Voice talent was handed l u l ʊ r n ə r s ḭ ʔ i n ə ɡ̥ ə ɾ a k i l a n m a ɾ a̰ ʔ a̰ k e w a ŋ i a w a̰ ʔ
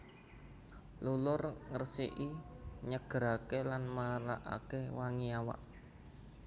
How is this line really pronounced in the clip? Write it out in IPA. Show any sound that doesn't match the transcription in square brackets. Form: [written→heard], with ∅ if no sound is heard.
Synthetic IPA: l u l ʊ r [n→ŋ] ə r s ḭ ʔ i [n→ɲ] ə ɡ̥ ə ɾ a k [i→e] l a n m a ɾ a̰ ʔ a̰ k e w a ŋ i a w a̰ ʔ